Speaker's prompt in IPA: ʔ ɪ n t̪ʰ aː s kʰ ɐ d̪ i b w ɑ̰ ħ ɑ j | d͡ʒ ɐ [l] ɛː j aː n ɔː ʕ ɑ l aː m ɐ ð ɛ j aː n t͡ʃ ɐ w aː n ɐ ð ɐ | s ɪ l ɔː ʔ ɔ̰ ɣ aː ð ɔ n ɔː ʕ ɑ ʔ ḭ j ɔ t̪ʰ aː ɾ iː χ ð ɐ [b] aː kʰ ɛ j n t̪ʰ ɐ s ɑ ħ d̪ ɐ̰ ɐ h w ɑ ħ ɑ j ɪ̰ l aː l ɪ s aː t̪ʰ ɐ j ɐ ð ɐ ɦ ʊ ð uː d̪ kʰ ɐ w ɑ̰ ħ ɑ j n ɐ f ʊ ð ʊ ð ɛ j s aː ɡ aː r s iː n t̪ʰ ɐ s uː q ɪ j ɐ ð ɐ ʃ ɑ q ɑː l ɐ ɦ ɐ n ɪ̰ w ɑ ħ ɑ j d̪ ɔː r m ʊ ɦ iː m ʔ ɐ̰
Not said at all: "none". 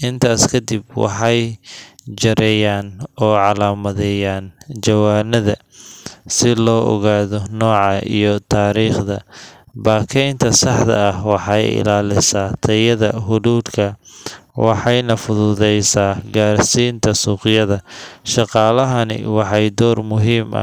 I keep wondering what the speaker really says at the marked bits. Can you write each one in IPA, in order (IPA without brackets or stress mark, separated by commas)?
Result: ɾ, b